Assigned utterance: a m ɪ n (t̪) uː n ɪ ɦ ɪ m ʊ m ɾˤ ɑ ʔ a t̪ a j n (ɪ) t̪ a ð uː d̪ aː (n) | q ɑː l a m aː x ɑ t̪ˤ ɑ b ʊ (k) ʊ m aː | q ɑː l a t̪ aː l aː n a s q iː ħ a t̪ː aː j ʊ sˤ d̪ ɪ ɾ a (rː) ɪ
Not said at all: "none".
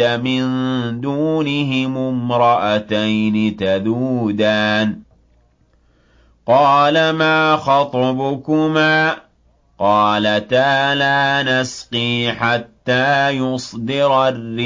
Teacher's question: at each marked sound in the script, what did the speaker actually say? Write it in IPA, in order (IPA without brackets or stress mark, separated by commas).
d̪, ɪ, n, k, rː